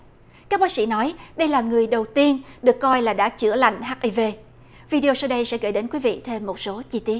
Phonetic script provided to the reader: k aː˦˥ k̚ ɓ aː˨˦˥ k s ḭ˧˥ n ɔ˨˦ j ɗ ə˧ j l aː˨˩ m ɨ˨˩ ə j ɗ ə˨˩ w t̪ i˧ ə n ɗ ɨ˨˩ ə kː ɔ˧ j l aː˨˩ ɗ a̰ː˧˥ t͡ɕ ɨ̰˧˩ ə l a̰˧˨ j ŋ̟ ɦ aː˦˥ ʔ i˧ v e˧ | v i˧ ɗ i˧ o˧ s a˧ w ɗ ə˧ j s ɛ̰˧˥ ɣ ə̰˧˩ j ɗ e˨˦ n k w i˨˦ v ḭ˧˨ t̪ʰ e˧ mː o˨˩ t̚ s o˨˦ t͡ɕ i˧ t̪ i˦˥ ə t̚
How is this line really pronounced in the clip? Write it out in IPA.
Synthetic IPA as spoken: k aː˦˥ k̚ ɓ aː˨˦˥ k s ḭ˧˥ n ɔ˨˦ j ɗ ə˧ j l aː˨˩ ŋ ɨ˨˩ ə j ɗ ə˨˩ w t̪ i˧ ə n ɗ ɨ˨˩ ə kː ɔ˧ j l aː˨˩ ɗ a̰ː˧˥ t͡ɕ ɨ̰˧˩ ə l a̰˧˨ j ŋ̟ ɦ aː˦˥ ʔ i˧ v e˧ | v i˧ ɗ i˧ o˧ s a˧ w ɗ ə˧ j s ɛ̰˧˥ ɣ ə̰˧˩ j ɗ e˨˦ n k w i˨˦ v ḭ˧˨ t̪ʰ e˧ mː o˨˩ t̚ s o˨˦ t͡ɕ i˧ t̪ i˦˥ ə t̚

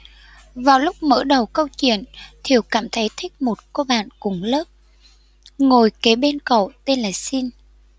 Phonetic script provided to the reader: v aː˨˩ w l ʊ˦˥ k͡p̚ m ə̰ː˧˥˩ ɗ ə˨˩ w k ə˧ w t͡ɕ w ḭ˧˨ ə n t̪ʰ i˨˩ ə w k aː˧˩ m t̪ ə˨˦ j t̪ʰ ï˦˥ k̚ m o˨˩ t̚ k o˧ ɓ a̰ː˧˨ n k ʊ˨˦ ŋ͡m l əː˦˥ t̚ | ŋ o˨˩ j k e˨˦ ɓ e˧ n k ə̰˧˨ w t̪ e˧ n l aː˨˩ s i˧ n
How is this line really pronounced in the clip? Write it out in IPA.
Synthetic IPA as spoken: v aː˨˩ w l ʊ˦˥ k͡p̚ m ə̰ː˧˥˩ ɗ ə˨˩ w k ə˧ w t͡ɕ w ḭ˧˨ ə n t̪ʰ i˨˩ ə w k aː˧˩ m t̪ʰ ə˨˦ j t̪ʰ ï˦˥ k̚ m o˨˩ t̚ k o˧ ɓ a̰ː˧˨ n k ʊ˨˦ ŋ͡m l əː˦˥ p̚ | ŋ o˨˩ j k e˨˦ ɓ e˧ n k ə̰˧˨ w t̪ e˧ n l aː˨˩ s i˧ n

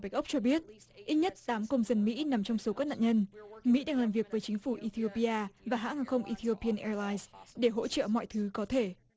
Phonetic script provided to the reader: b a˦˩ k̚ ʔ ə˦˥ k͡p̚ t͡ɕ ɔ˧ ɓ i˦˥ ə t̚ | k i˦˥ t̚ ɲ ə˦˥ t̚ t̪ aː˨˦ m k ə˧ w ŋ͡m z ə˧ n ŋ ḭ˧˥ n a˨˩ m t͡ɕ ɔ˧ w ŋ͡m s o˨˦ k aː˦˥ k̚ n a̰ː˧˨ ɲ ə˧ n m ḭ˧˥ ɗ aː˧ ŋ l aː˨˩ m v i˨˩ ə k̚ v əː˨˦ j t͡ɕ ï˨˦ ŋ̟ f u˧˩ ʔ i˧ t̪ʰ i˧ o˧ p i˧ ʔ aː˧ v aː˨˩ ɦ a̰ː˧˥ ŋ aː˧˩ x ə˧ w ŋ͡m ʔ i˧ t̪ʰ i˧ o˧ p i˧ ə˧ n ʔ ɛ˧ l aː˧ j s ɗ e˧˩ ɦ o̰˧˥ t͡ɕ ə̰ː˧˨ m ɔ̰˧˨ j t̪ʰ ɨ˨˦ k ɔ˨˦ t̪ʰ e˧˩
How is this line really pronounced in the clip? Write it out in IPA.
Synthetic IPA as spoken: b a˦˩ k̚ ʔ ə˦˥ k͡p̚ t͡ɕ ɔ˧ ɓ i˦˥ ə t̚ | ʔ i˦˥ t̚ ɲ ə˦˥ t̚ t̪ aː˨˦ m k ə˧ w ŋ͡m z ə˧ n m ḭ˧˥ n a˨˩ m t͡ɕ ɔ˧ w ŋ͡m s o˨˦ k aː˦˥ k̚ n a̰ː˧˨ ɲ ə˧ n m ḭ˧˥ ɗ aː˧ ŋ l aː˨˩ m v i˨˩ ə k̚ v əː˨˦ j t͡ɕ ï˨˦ ŋ̟ f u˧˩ ʔ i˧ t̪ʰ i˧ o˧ p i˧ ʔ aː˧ v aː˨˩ ɦ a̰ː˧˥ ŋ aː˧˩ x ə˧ w ŋ͡m ʔ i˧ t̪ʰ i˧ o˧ p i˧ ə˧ n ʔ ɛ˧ l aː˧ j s ɗ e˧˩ ɦ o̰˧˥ t͡ɕ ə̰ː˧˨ m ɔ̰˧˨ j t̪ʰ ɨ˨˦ k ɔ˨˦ t̪ʰ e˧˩

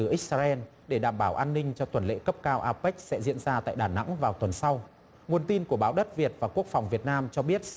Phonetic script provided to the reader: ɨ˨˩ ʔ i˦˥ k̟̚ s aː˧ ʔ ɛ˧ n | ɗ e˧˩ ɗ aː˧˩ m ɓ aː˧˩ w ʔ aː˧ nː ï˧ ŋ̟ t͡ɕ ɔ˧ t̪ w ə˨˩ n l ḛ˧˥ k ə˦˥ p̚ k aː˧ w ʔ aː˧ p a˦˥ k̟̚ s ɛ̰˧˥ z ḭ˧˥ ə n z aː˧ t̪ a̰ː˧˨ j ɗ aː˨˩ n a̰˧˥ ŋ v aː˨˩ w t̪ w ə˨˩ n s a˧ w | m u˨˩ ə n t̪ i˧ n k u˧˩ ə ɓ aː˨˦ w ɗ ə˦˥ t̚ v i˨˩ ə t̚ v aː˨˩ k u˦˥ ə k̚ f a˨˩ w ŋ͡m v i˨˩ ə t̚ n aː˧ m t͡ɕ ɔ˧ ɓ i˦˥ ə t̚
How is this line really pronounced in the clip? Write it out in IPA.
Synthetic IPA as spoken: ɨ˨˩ ʔ i˦˥ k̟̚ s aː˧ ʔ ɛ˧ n | ɗ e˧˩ ɗ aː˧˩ m ɓ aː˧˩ w ʔ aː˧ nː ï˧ ŋ̟ t͡ɕ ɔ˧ t̪ w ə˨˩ n l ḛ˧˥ k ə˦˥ p̚ k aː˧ w ʔ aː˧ p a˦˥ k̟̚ s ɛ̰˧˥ z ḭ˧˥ ə n z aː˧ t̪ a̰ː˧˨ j ɗ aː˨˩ n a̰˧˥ ŋ v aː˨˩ w t̪ w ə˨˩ n s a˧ w | ŋ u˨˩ ə n t̪ i˧ n k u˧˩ ə ɓ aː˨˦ w ɗ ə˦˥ t̚ v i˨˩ ə t̚ v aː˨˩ k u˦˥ ə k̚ f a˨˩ w ŋ͡m v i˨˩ ə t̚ n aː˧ m t͡ɕ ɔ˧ ɓ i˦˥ ə t̚

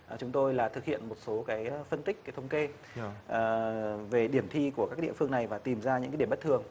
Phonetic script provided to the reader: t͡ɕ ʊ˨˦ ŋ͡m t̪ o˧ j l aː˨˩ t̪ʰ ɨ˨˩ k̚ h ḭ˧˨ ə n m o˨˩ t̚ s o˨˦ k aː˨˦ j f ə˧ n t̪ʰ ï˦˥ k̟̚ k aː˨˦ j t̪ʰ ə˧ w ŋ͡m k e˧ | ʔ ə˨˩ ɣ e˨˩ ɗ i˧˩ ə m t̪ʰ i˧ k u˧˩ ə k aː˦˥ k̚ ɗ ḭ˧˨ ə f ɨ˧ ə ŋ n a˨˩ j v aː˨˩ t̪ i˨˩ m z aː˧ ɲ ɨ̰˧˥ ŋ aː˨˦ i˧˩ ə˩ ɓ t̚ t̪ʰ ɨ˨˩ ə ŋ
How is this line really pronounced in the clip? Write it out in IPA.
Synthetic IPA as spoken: t͡ɕ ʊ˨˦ ŋ͡m t̪ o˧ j l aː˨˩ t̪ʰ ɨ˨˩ k̚ h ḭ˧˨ ə n m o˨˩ t̚ s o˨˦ k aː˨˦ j f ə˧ n t̪ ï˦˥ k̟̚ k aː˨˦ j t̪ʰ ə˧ w ŋ͡m k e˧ | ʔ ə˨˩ v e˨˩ ɗ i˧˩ ə m t̪ʰ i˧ k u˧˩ ə k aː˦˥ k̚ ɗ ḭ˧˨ ə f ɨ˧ ə ŋ n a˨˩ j v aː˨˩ t̪ i˨˩ m z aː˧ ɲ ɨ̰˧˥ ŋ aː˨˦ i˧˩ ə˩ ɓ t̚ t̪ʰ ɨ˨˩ ə ŋ

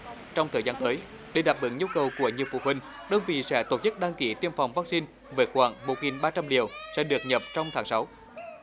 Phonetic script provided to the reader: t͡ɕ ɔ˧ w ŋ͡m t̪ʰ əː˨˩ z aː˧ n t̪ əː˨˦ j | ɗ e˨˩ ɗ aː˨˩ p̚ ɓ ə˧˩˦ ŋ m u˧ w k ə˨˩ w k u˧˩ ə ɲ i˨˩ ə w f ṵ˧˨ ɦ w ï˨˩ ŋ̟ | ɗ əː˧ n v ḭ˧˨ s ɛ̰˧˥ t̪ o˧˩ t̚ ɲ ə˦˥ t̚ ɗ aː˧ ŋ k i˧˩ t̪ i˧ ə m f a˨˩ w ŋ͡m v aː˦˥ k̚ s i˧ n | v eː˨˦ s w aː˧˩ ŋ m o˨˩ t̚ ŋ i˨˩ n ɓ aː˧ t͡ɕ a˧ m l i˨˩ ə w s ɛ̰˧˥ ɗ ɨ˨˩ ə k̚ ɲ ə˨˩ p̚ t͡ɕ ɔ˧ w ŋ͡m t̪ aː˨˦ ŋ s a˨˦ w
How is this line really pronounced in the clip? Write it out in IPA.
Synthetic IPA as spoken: t͡ɕ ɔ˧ w ŋ͡m t̪ʰ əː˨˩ z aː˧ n t̪ əː˨˦ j | ɗ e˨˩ ɗ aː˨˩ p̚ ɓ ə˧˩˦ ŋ ɲ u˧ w k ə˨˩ w k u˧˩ ə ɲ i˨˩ ə w f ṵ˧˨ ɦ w ï˨˩ ŋ̟ | ɗ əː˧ n v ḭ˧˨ s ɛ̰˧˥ t̪ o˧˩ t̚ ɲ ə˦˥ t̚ ɗ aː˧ ŋ k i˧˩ t̪ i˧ ə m f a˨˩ w ŋ͡m v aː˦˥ k̚ s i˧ n | v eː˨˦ x w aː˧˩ ŋ m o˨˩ t̚ ŋ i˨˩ n ɓ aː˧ t͡ɕ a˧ m l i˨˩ ə w s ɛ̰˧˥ ɗ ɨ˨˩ ə k̚ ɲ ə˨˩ p̚ t͡ɕ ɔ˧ w ŋ͡m t̪ʰ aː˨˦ ŋ s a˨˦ w

